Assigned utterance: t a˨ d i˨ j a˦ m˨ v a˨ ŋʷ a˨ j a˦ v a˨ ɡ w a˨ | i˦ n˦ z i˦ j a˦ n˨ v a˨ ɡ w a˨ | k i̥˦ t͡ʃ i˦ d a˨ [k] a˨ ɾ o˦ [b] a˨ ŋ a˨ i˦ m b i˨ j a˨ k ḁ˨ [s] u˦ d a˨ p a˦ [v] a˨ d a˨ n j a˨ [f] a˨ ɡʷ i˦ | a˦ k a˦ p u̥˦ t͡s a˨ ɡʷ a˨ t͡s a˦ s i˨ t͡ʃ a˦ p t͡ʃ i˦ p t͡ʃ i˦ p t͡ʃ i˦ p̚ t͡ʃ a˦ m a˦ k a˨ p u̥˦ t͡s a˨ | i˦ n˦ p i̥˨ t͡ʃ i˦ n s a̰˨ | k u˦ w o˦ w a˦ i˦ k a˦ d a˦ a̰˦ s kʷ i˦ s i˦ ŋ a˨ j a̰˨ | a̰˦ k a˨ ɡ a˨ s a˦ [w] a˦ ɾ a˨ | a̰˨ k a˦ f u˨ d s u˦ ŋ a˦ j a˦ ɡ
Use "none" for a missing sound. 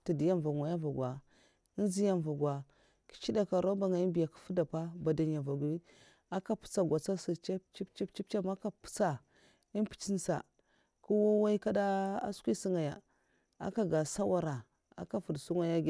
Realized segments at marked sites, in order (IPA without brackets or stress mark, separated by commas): k, b, f, b, v, w